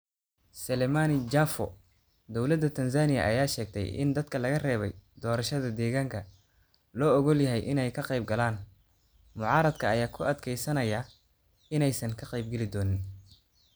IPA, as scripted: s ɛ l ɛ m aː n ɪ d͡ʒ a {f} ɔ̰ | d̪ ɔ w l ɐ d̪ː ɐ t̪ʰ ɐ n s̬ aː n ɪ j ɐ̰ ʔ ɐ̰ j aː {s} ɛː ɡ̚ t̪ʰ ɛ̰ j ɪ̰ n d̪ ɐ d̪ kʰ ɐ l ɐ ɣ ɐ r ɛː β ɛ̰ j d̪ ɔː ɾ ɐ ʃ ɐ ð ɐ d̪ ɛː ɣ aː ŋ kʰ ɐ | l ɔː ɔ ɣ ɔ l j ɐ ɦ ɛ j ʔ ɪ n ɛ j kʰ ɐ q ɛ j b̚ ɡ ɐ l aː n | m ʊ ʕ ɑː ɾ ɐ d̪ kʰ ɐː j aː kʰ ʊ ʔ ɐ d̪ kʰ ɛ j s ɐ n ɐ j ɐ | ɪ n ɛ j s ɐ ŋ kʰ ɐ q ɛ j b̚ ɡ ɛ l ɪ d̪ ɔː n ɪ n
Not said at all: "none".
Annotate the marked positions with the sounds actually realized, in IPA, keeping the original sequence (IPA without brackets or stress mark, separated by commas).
f, ʃ